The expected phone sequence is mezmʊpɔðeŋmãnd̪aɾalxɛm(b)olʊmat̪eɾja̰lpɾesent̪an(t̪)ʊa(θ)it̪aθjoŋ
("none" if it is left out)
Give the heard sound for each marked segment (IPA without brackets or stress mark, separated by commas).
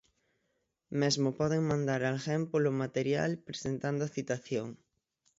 p, d̪, θ